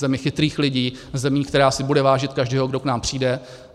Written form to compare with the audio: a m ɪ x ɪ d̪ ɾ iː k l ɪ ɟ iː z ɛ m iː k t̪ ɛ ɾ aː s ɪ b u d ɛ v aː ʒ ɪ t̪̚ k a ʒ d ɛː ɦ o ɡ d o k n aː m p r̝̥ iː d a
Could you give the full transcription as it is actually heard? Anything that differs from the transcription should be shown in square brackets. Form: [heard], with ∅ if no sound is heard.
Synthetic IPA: [ɛ] m ɪ x ɪ [t̪] ɾ iː [x] l ɪ ɟ iː z ɛ m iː k t̪ ɛ ɾ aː s ɪ b u d ɛ v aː ʒ ɪ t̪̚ k a ʒ d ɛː ɦ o ɡ d o k n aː m p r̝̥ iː d [ɛ]